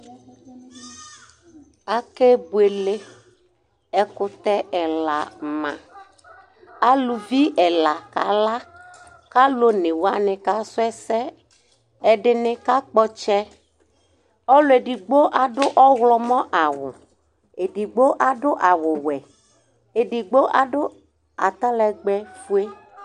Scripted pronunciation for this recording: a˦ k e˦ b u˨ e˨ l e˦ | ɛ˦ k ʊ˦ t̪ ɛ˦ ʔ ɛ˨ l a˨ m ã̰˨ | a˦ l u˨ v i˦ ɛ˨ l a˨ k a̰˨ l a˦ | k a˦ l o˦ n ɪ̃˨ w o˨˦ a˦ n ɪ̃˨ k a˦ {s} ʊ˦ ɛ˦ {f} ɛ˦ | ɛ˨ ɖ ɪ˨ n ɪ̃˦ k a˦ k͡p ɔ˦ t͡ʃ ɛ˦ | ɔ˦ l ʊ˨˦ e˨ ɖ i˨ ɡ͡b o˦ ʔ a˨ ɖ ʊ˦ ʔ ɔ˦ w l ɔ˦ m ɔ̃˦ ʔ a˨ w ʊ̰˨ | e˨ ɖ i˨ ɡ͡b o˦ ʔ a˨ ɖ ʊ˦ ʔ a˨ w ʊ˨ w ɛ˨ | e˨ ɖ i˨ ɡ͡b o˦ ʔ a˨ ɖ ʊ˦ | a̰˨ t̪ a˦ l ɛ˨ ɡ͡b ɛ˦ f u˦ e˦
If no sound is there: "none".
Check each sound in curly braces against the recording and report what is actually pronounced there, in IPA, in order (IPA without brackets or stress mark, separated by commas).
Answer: s, s